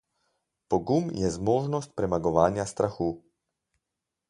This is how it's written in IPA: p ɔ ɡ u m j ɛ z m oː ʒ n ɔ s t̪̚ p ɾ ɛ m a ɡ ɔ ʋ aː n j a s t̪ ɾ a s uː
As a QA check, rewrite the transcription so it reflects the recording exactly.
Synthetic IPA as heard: p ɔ ɡ u m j ɛ z m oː ʒ n ɔ s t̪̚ p ɾ ɛ m a ɡ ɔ ʋ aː n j a s t̪ ɾ a x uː